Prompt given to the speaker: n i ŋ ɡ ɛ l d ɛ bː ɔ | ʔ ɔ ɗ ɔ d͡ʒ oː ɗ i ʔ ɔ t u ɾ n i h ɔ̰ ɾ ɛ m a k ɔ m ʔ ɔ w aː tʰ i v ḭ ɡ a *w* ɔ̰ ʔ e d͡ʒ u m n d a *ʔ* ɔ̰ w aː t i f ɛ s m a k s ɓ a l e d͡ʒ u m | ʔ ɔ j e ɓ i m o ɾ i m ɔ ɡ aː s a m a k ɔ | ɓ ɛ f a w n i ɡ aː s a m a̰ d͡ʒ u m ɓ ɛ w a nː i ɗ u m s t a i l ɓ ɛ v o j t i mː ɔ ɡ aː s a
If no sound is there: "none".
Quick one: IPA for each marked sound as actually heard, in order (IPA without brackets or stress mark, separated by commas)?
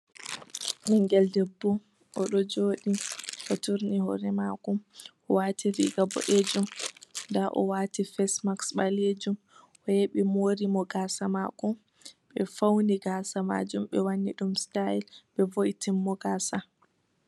b, ʔ